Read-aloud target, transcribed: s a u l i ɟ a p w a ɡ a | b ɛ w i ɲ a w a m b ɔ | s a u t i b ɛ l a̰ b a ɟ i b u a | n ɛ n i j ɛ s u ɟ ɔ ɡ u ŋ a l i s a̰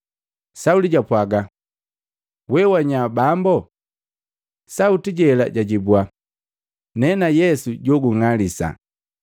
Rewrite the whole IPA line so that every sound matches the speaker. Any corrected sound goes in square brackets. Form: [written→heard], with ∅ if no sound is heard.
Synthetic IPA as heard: s a u l i ɟ a p w a ɡ a | [b→w] ɛ w [i→a] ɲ a [w→b] a m b ɔ | s a u t i [b→ɟ] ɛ l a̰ [b→ɟ] a ɟ i b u a | n ɛ n [i→a] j ɛ s u ɟ ɔ ɡ u ŋ a l i s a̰

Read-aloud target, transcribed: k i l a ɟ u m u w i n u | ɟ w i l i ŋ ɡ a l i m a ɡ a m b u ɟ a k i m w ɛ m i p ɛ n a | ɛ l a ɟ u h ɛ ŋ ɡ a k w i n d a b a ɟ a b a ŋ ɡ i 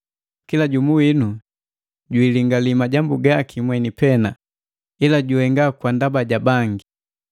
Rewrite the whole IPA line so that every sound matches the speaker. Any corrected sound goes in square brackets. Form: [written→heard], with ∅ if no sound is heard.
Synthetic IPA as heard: k i l a ɟ u m u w i n u | ɟ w i l i ŋ ɡ a l i m a [ɡ→ɟ] a m b u [ɟ→ɡ] a k i m w ɛ [m→n] i p ɛ n a | [ɛ→i] l a ɟ u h ɛ ŋ ɡ a k w [i→a] n d a b a ɟ a b a ŋ ɡ i

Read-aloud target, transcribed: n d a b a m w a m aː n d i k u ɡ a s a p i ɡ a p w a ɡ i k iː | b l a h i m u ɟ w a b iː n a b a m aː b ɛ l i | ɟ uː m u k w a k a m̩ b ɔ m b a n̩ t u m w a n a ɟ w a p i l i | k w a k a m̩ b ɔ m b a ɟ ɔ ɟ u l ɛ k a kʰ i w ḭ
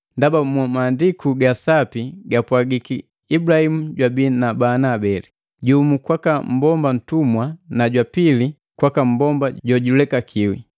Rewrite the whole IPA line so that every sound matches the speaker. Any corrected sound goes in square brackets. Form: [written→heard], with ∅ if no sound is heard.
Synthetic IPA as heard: n d a b a m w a m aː n d i k u ɡ a s a p i ɡ a p w a ɡ i k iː | b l a h i m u ɟ w a b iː n a b a [m→n] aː b ɛ l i | ɟ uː m u k w a k a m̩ b ɔ m b a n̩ t u m w a n a ɟ w a p i l i | k w a k a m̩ b ɔ m b a ɟ ɔ ɟ u l ɛ k a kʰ i w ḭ

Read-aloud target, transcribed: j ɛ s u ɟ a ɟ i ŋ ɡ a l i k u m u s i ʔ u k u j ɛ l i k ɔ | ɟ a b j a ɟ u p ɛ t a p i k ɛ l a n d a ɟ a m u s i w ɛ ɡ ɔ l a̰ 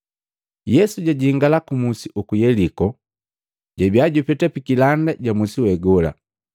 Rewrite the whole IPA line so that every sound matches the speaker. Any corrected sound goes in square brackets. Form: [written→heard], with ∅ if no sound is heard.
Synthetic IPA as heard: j ɛ s u ɟ a ɟ i ŋ ɡ a l [i→a] k u m u s i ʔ u k u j ɛ l i k ɔ | ɟ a b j a ɟ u p ɛ t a p i k [ɛ→i] l a n d a ɟ a m u s i w ɛ ɡ ɔ l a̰

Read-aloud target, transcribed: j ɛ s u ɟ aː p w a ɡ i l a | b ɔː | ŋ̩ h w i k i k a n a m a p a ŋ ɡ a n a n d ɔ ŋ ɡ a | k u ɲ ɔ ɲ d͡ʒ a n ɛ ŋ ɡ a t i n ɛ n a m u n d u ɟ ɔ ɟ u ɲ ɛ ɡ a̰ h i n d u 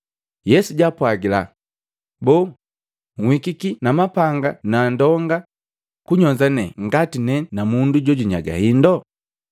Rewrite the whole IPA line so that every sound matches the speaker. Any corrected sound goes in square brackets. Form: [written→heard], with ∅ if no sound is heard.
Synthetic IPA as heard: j ɛ s u ɟ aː p w a ɡ i l a | b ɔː | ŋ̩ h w i k i k [a→i] n a m a p a ŋ ɡ a n a n d ɔ ŋ ɡ a | k u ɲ ɔ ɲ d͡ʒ a n ɛ ŋ ɡ a t i n ɛ n a m u n d u ɟ ɔ ɟ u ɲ [ɛ→a] ɡ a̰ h i n d [u→ɔ]

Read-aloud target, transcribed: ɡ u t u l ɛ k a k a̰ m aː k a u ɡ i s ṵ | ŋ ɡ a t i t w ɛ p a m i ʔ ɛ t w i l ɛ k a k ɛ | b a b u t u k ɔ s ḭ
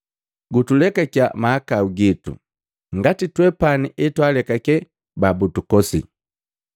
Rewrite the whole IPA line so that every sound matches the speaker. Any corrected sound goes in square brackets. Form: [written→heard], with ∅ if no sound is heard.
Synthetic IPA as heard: ɡ u t u l ɛ k a k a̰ m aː k a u ɡ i [s→t] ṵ | ŋ ɡ a t i t w ɛ p a [m→n] i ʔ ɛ t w [i→a] l ɛ k a k ɛ | b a b u t u k ɔ s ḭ

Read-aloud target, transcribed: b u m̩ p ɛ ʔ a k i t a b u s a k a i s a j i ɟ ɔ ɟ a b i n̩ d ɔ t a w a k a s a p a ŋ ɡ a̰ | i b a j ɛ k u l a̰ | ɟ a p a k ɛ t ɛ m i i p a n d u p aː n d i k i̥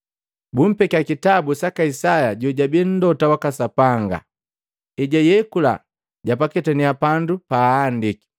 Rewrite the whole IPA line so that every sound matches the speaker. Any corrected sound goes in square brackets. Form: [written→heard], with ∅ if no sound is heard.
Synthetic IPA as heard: b u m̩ p ɛ [ʔ→k] a k i t a b u s a k a i s a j [i→a] ɟ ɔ ɟ a b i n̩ d ɔ t a w a k a s a p a ŋ ɡ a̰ | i [b→ɟ] a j ɛ k u l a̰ | ɟ a p a k ɛ t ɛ [m→n] i [i→a] p a n d u p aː n d i k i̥

